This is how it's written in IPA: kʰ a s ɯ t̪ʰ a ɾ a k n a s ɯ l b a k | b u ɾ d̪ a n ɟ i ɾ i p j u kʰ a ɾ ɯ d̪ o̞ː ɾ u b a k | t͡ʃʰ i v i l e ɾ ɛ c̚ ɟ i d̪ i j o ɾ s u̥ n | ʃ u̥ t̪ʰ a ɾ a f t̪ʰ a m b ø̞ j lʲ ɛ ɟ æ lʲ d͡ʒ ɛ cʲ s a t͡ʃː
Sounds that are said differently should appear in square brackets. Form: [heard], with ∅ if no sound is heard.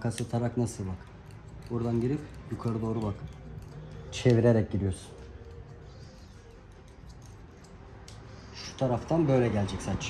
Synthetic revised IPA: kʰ a s ɯ t̪ʰ a ɾ a k n a s ɯ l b a k | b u ɾ d̪ a n ɟ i ɾ i p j u kʰ a ɾ ɯ d̪ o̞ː ɾ u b a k | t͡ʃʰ [e] v i [ɾ] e ɾ ɛ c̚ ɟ i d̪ i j o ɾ s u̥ n | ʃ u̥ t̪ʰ a ɾ a f t̪ʰ a [n] b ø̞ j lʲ ɛ ɟ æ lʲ d͡ʒ ɛ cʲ s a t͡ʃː